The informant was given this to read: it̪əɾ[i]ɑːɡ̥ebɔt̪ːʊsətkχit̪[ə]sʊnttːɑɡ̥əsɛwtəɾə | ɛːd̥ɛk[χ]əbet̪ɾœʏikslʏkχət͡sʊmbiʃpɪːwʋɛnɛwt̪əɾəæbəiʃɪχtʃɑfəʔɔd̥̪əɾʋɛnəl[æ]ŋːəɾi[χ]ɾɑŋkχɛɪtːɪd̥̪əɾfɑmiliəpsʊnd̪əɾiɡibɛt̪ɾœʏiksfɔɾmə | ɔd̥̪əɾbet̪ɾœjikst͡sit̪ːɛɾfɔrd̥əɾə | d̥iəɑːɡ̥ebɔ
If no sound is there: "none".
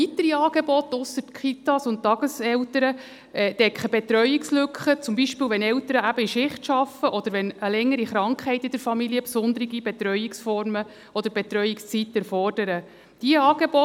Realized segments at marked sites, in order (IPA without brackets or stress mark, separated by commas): i, ɑ, χ, ɛ, χ